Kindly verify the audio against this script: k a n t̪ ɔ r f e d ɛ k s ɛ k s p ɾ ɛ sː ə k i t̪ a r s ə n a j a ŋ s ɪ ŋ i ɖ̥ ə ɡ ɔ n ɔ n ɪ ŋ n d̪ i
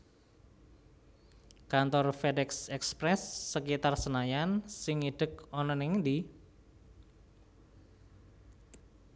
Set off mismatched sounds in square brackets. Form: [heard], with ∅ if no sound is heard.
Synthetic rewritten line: k a n t̪ ɔ r f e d ɛ k s ɛ k s p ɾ ɛ sː ə k i t̪ a r s ə n a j a [n] s ɪ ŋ i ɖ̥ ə [k] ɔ n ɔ n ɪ ŋ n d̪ i